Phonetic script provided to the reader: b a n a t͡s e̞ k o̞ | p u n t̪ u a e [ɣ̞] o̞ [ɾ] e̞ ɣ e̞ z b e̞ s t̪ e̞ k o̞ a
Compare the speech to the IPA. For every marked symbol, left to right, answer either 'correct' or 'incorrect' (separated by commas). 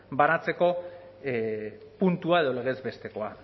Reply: incorrect, incorrect